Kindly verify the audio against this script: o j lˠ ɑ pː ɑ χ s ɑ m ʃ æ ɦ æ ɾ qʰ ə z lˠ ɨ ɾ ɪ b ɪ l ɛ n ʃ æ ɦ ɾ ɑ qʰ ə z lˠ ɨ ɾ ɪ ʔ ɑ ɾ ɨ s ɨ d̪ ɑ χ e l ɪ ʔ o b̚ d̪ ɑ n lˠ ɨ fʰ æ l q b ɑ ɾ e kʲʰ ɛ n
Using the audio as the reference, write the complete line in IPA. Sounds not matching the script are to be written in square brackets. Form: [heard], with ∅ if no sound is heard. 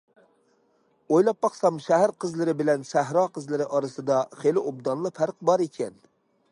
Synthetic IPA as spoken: o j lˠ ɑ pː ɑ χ s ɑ m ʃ æ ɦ æ ɾ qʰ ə z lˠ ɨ ɾ ɪ b ɪ l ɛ n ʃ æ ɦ ɾ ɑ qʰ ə z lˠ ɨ ɾ ɪ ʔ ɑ ɾ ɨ s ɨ d̪ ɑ χ e l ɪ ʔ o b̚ d̪ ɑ n lˠ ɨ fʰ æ [ɾ] q b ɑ ɾ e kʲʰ ɛ n